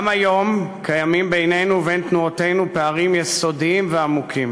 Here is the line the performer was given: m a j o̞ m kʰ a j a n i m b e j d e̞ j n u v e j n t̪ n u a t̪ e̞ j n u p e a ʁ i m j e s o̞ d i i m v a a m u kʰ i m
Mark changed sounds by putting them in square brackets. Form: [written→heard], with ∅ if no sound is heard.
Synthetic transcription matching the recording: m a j o̞ m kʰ a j a [n→m] i m b e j [d→n] e̞ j n u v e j n t̪ n u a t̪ e̞ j n u p e a ʁ i m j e s o̞ d i i m v [a→e] a m u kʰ i m